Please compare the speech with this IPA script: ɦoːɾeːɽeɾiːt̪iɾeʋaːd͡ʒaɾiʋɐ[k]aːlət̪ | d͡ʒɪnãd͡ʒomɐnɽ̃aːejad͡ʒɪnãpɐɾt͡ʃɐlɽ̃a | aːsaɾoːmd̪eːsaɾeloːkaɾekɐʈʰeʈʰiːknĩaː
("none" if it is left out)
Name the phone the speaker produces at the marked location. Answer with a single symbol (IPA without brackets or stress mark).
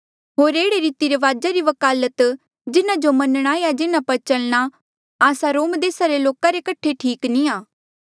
k